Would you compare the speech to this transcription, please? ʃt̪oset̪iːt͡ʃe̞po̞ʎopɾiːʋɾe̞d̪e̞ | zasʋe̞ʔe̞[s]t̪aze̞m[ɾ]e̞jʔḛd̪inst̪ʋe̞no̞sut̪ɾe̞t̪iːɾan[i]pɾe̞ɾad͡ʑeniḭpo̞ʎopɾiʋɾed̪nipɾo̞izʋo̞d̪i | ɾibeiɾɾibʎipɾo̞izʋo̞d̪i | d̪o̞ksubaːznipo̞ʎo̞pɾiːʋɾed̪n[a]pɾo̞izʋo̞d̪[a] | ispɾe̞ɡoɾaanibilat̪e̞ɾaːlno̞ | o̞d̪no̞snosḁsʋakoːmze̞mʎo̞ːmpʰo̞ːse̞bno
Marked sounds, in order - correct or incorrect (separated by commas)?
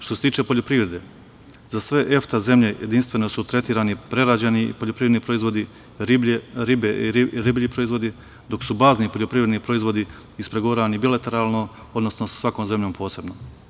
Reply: incorrect, incorrect, correct, incorrect, incorrect